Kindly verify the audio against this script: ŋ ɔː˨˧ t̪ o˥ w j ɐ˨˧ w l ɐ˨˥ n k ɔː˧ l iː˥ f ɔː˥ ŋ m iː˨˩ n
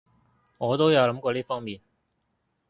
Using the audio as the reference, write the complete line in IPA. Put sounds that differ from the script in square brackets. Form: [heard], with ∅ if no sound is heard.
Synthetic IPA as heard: ŋ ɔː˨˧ t̪ o˥ w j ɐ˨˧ w l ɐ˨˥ [m] k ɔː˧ l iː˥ f ɔː˥ ŋ m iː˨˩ n